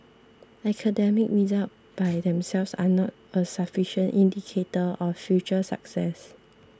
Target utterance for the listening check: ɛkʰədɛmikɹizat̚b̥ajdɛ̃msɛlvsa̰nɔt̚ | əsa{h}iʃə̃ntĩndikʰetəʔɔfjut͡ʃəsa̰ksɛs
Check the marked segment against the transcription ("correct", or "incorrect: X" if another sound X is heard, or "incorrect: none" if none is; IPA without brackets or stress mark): incorrect: f